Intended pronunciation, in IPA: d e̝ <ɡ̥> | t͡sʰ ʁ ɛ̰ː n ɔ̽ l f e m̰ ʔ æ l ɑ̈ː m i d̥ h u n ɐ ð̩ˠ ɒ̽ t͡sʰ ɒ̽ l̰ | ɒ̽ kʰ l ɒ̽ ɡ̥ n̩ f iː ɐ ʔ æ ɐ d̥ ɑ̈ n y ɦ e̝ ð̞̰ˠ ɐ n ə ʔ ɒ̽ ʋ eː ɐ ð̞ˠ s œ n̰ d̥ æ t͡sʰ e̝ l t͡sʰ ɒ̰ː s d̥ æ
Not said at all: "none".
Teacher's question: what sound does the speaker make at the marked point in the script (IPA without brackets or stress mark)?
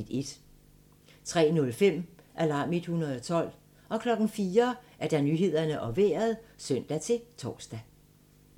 d̥